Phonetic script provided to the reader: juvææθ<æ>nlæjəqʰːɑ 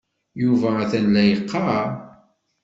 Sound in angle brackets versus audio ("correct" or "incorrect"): correct